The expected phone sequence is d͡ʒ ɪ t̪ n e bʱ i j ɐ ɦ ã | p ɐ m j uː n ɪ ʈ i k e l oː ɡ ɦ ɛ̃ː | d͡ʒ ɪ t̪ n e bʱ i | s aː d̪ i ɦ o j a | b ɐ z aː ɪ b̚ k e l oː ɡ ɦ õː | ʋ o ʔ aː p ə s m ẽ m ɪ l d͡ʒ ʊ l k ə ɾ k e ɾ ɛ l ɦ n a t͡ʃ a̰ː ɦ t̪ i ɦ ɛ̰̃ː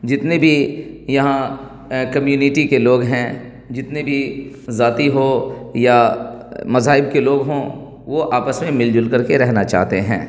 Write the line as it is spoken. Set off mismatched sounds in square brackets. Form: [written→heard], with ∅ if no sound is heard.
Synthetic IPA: d͡ʒ ɪ t̪ n e bʱ i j ɐ ɦ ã | [p→k] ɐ m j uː n ɪ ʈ i k e l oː ɡ ɦ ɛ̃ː | d͡ʒ ɪ t̪ n e bʱ i | [s→z] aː [d̪→t̪] i ɦ o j a | [b→m] ɐ z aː ɪ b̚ k e l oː ɡ ɦ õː | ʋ o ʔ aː p ə s m ẽ m ɪ l d͡ʒ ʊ l k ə ɾ k e ɾ ɛ [l→∅] ɦ n a t͡ʃ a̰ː ɦ t̪ [i→e] ɦ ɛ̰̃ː